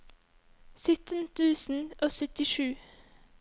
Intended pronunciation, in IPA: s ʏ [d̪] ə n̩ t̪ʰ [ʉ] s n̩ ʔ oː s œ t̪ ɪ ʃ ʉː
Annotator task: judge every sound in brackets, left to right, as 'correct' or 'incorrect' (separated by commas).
incorrect, incorrect